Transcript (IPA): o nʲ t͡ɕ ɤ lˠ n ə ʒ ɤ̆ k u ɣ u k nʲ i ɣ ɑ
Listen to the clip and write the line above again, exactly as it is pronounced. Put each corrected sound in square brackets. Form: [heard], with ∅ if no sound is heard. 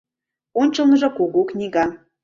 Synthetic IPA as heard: o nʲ t͡ɕ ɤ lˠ n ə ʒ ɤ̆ k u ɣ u k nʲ i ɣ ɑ